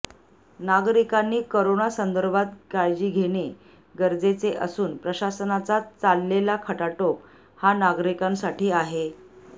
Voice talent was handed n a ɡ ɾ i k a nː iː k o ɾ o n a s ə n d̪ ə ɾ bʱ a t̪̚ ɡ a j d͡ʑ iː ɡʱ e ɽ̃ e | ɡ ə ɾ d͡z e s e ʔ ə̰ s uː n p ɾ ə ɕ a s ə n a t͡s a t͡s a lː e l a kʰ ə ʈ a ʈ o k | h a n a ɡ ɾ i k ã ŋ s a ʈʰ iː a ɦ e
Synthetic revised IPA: n a ɡ ɾ i k a nː iː k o ɾ o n a s ə n d̪ ə ɾ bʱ a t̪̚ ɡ a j d͡ʑ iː ɡʱ e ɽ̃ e | ɡ ə ɾ d͡z e t͡s e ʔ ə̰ s uː n p ɾ ə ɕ a s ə n a t͡s a t͡s a lː e l a kʰ ə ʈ a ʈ o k | h a n a ɡ ɾ i k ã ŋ s a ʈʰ iː a ɦ e